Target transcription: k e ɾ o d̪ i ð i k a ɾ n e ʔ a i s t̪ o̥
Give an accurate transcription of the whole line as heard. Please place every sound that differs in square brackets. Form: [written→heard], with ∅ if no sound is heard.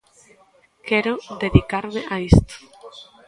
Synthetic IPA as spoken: k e ɾ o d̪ [i→e] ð i k a ɾ [n→m] e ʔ a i s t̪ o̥